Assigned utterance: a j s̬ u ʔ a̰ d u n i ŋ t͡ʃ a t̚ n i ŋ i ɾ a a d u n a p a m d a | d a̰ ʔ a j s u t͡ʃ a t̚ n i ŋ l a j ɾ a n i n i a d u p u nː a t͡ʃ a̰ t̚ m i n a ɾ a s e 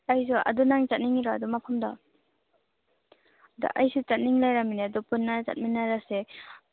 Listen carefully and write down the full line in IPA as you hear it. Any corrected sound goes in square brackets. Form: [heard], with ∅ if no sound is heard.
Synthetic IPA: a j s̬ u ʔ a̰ d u n [a] ŋ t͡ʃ a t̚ n i ŋ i ɾ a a d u [m] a [pʰ] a m d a | d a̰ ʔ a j s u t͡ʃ a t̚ n i ŋ l a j ɾ a [m] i n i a d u p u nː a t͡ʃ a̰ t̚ m i n a ɾ a s e